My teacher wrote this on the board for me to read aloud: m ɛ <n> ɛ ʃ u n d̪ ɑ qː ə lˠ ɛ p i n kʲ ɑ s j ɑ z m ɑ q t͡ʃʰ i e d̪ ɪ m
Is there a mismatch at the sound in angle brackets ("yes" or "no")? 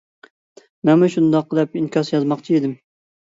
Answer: yes